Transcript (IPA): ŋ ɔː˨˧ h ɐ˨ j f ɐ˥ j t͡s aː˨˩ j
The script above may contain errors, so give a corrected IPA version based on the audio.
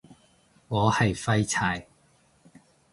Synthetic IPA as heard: ŋ ɔː˨˧ h ɐ˨ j f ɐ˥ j t͡sʰ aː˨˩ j